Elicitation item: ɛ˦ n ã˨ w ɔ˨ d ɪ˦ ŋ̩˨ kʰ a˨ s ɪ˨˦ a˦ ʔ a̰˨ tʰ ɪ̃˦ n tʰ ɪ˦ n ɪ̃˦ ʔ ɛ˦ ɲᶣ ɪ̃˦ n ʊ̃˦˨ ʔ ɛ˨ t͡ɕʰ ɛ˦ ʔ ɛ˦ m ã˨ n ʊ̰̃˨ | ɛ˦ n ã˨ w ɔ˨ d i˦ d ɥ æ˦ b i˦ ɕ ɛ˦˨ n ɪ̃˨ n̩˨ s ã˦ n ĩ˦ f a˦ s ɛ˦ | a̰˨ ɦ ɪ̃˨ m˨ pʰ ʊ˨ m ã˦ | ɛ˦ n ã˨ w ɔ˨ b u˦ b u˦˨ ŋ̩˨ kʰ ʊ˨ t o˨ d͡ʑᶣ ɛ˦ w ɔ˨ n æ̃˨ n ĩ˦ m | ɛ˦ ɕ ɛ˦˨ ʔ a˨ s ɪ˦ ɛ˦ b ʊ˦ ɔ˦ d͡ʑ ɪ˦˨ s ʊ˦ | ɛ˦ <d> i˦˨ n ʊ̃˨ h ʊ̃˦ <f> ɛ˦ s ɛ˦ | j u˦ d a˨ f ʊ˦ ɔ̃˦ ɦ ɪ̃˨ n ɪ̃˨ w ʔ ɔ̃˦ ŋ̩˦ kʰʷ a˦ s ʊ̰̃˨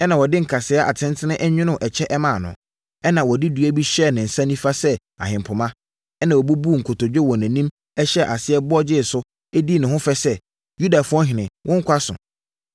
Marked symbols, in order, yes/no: yes, yes

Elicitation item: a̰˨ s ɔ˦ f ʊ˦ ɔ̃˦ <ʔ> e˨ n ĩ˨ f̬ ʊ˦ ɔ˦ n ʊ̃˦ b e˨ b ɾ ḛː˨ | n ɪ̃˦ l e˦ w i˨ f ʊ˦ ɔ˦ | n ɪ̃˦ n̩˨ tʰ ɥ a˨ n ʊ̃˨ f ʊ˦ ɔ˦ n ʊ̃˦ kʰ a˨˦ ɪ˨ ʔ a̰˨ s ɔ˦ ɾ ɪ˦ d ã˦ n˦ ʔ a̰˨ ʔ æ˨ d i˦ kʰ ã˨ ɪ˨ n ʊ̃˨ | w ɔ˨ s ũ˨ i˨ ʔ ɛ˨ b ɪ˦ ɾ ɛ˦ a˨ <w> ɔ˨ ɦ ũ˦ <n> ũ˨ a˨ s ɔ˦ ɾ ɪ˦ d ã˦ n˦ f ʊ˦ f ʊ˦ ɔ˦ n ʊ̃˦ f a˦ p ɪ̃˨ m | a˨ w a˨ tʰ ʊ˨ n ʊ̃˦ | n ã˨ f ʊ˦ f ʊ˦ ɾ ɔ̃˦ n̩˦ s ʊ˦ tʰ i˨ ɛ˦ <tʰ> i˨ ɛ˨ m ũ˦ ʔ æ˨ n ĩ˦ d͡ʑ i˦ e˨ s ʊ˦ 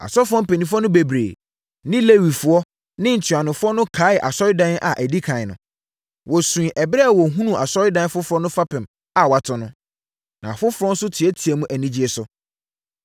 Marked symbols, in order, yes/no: no, yes, yes, yes

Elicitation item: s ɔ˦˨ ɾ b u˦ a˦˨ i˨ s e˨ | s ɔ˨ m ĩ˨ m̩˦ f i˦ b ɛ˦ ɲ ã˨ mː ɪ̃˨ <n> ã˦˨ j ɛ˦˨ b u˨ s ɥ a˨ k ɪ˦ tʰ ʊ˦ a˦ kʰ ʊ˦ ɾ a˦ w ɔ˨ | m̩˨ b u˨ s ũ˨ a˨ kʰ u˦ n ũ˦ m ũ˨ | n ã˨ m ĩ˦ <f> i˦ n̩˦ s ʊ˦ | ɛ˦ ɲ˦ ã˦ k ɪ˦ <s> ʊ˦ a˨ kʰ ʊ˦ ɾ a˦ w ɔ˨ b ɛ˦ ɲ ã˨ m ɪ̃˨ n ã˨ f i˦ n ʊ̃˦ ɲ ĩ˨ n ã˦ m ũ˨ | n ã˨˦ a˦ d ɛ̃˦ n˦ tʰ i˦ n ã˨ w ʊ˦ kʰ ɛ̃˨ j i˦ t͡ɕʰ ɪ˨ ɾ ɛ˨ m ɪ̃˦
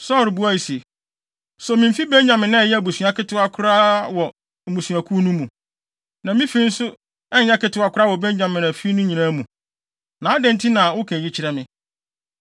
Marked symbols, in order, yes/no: yes, yes, no

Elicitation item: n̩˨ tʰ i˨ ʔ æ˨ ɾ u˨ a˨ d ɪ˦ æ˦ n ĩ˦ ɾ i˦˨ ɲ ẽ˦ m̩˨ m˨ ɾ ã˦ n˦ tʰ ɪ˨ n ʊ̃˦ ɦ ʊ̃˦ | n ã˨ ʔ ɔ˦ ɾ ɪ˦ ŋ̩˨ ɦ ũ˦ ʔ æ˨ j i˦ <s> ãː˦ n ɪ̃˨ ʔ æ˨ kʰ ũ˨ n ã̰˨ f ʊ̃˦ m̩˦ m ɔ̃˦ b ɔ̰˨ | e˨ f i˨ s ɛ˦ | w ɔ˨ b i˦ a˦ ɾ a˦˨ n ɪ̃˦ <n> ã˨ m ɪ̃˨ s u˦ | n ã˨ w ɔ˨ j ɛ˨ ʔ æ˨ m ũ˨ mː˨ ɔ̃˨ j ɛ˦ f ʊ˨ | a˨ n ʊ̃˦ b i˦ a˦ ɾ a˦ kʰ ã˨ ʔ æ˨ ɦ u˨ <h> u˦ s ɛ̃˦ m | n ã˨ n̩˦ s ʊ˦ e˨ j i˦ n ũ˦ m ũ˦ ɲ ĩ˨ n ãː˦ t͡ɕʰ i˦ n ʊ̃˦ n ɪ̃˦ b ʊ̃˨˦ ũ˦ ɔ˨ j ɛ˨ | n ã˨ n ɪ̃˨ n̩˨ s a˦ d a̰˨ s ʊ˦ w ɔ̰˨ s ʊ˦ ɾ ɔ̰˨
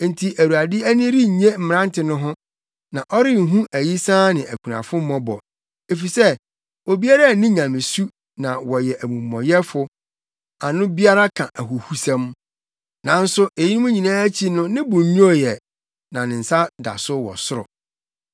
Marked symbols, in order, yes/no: yes, no, yes

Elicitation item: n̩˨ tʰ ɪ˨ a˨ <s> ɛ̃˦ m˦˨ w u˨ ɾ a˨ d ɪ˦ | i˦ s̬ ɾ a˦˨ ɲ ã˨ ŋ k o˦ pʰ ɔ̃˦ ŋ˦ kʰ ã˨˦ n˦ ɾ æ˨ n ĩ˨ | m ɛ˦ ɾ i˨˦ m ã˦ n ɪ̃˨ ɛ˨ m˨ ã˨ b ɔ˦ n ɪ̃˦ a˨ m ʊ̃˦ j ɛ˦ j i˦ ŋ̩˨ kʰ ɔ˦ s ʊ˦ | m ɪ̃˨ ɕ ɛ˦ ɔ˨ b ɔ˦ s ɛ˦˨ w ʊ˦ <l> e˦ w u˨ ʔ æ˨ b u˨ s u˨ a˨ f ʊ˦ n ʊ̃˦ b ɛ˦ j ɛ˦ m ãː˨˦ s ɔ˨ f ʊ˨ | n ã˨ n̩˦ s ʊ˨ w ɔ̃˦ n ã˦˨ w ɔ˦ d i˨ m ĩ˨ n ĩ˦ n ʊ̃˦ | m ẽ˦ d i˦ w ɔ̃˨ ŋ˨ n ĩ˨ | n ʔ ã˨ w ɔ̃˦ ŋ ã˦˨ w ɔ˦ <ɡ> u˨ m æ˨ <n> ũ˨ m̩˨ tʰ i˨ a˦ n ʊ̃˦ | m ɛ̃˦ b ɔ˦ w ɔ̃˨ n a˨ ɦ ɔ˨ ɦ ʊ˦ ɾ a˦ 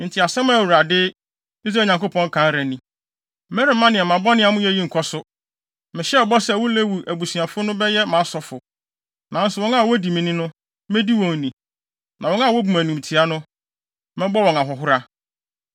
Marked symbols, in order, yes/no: yes, yes, no, yes

